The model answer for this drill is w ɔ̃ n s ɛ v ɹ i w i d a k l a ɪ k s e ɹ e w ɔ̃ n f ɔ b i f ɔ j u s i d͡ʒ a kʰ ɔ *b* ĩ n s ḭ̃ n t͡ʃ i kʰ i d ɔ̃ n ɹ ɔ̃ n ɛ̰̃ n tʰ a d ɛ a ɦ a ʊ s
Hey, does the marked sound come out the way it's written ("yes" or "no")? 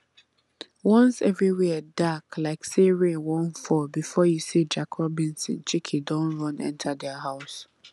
yes